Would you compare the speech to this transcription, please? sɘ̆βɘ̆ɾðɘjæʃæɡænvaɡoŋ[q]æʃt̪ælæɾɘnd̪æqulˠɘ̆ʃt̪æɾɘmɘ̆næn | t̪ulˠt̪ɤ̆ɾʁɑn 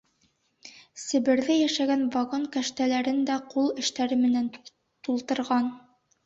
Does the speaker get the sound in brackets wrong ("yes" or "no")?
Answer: yes